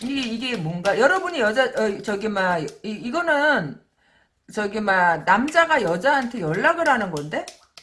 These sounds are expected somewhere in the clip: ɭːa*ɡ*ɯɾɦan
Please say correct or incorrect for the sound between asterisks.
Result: correct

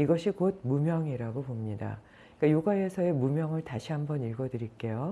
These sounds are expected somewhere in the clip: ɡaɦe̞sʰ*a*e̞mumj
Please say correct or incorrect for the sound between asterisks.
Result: incorrect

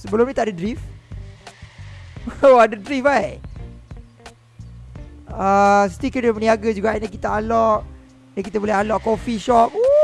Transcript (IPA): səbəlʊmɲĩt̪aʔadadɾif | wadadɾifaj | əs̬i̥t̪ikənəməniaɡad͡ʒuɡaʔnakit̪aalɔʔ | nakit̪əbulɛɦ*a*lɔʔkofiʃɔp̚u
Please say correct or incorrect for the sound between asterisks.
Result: correct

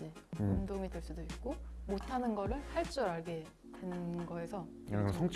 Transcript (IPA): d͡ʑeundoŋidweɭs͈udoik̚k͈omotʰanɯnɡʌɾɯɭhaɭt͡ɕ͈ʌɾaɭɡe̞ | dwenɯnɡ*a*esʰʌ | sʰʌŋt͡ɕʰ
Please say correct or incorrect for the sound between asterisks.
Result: incorrect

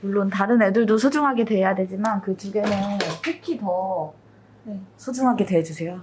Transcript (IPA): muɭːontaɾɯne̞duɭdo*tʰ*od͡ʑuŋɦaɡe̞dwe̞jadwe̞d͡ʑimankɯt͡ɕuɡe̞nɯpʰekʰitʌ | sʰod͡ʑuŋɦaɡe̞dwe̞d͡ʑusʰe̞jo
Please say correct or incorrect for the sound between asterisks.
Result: incorrect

